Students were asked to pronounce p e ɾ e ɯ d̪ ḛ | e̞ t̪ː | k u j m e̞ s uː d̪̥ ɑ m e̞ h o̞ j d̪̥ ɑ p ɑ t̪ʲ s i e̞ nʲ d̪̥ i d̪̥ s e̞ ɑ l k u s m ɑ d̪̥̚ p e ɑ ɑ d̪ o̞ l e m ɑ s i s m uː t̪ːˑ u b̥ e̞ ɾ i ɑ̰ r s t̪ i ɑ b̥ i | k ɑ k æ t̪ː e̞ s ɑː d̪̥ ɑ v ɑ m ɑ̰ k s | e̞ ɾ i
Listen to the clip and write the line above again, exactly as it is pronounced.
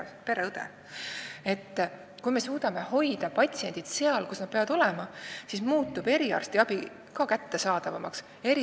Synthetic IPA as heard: p e ɾ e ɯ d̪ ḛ | e̞ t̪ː | k u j m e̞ s uː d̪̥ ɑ m e̞ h o̞ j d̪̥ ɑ p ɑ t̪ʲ s i e̞ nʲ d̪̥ i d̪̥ s e̞ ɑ l k u s n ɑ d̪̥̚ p e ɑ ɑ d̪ o̞ l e m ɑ s i s m uː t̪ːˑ u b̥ e̞ ɾ i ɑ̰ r s t̪ i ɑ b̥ i | k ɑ k æ t̪ː e̞ s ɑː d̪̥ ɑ v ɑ m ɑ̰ k s | e̞ ɾ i